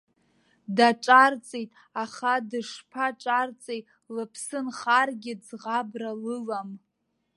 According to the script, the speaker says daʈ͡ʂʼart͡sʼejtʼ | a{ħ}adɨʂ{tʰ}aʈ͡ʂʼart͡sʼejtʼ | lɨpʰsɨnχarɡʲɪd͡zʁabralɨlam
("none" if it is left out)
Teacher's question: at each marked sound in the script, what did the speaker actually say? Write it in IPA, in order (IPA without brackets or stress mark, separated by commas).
χ, pʰ